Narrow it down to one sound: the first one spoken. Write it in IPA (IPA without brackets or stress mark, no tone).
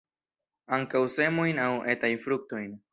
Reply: a